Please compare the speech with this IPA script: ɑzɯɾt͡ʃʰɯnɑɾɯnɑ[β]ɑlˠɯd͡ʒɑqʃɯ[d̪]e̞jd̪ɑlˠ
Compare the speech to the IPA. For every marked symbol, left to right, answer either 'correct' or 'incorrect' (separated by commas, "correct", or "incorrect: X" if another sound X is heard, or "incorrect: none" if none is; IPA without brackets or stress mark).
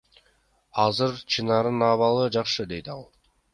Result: correct, correct